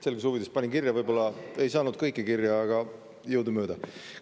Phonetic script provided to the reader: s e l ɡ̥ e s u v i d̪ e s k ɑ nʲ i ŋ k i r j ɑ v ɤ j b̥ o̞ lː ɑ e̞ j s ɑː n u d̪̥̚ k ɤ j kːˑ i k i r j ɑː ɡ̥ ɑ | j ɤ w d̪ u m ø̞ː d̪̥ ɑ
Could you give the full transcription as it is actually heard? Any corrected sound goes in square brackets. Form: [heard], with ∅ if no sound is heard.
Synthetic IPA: s e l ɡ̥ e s u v i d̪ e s [p] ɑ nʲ i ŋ k i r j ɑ v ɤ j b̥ o̞ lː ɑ e̞ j s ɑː n u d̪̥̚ k ɤ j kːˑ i k i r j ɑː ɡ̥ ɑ | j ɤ w d̪ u m ø̞ː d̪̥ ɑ